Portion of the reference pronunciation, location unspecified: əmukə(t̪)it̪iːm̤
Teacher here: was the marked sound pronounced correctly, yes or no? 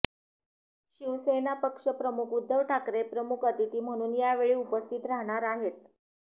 yes